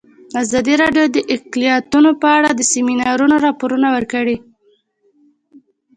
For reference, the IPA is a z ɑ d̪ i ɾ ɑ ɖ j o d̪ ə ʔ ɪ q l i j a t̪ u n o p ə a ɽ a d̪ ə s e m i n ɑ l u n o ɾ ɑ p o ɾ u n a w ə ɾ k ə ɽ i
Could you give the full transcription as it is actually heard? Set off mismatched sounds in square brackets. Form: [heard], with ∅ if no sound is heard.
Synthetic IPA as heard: a z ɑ d̪ i ɾ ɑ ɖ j o d̪ ə ʔ ɪ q l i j [ɑ] t̪ u n o p ə a ɽ a d̪ ə s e m i n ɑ [ɾ] u n o ɾ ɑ p o ɾ u n a w ə ɾ k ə ɽ i